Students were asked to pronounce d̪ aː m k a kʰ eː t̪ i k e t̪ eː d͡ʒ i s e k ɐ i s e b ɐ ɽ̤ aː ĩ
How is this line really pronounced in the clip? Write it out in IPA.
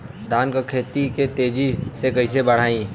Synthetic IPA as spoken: d̪ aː n k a kʰ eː t̪ i k e t̪ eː d͡ʒ i s e k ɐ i s e b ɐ ɽ̤ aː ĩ